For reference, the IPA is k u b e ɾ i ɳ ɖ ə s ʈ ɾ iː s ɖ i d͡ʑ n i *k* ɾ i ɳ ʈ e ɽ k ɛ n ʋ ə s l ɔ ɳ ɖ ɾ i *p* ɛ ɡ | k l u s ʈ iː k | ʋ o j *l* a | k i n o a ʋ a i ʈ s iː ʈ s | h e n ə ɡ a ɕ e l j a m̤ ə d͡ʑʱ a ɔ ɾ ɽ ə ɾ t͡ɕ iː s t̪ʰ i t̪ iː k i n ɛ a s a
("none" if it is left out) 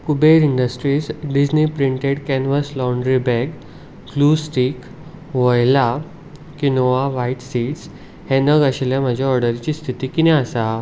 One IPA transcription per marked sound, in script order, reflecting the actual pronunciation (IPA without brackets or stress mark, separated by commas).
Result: p, b, l